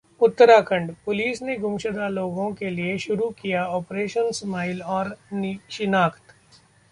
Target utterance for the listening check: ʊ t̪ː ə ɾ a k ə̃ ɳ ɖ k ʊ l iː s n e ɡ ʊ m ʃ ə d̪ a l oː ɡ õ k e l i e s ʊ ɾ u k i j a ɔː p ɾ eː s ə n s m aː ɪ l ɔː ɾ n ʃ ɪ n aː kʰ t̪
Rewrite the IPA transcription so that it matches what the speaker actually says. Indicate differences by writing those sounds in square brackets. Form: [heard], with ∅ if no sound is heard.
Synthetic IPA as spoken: ʊ t̪ː ə ɾ a k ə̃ ɳ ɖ [p] ʊ l iː s n e ɡ ʊ m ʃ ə d̪ a l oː ɡ õ k e l i e [ʃ] ʊ ɾ u k i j a ɔː p ɾ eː [ʃ] ə n s m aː ɪ l ɔː ɾ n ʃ ɪ n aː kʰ t̪